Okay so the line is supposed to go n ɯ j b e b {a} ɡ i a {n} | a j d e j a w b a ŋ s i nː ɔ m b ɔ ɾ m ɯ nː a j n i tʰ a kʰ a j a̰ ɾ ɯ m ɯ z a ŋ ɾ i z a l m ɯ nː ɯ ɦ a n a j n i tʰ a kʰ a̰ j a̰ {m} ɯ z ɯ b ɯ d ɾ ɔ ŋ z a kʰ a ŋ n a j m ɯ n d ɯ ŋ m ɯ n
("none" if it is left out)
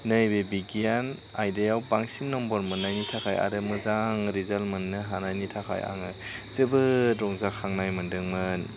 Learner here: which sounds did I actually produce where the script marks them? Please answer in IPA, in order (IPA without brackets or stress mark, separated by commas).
i, n, ŋ